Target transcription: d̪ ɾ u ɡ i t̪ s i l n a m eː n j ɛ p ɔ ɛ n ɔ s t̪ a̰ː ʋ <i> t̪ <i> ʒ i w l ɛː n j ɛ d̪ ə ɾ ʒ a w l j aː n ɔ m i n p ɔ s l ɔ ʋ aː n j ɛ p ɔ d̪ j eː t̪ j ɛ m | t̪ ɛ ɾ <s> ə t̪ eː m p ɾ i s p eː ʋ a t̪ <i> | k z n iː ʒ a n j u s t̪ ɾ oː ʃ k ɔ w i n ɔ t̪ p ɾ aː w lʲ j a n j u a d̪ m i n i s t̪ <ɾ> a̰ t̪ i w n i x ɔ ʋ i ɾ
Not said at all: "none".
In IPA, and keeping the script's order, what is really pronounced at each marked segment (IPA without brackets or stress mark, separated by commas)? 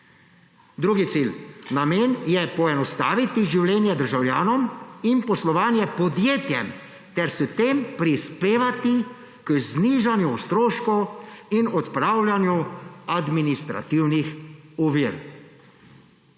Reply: i, i, s, i, ɾ